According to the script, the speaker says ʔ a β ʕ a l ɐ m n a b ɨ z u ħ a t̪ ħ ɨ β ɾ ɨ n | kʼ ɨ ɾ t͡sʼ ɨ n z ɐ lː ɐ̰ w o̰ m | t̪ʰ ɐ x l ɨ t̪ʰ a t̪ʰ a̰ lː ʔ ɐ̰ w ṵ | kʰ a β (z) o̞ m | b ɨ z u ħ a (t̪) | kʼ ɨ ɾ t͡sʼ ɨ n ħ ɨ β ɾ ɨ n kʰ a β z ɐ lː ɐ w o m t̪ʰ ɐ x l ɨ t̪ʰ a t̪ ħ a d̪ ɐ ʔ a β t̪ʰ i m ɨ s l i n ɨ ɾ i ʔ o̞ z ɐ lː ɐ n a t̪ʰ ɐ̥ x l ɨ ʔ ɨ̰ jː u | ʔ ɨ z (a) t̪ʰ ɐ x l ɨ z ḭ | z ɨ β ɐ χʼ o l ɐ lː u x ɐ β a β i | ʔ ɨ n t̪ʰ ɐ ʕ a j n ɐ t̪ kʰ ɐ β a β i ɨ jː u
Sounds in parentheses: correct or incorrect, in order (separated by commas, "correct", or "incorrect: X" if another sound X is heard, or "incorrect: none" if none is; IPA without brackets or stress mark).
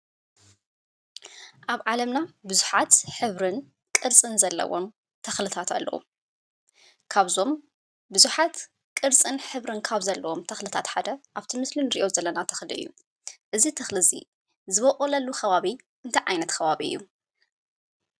correct, correct, incorrect: i